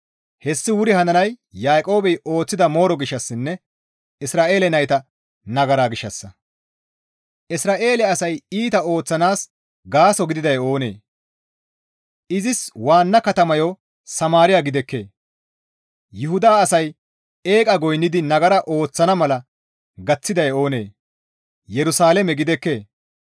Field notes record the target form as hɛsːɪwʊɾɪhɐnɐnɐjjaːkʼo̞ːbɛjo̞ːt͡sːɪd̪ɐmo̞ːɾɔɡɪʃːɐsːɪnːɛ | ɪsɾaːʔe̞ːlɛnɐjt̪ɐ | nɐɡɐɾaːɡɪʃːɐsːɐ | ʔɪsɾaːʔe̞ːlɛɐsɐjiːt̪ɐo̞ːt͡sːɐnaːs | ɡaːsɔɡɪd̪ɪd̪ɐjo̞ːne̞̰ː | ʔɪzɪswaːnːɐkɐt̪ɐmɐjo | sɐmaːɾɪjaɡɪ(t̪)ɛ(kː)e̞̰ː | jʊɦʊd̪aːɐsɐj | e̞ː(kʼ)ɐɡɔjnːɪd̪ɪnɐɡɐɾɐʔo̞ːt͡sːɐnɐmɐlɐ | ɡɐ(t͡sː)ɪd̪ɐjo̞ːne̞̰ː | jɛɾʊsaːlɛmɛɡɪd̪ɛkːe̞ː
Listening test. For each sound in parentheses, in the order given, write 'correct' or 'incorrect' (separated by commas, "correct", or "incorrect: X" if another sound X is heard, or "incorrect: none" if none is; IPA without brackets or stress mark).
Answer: incorrect: d̪, correct, correct, correct